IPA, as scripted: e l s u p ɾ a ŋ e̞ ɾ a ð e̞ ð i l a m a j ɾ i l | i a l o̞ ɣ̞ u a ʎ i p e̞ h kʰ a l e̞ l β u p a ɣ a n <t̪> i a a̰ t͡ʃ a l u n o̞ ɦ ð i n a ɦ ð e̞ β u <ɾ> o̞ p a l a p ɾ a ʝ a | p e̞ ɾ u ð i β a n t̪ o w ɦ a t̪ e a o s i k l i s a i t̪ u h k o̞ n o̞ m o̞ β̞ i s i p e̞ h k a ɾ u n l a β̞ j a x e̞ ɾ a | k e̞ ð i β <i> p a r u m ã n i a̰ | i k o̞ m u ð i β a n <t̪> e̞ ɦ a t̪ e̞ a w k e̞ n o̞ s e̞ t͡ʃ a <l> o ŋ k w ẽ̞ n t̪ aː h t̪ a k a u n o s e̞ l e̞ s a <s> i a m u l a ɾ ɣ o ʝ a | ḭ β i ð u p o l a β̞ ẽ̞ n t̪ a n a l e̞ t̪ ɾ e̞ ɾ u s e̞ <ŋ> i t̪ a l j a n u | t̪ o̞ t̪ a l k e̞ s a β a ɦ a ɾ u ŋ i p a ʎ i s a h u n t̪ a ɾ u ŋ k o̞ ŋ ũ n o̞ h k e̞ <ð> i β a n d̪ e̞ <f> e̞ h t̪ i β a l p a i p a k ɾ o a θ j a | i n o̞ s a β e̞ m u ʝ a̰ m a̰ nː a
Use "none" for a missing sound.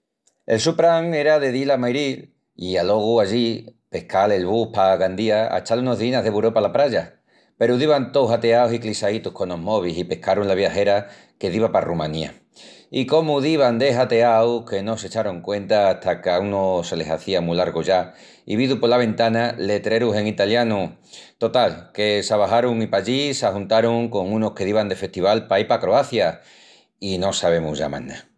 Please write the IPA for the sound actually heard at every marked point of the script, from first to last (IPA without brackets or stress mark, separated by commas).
d̪, ɾ, a, d̪, ɾ, θ, ŋ, ð, f